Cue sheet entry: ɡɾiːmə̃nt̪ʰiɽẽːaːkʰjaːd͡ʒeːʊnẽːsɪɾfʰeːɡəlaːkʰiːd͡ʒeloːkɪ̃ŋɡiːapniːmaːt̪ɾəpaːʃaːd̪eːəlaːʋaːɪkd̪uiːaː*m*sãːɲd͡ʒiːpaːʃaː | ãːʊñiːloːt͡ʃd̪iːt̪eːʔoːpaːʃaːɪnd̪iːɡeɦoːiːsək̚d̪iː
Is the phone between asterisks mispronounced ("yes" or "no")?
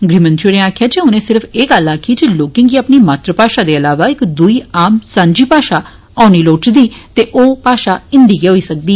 no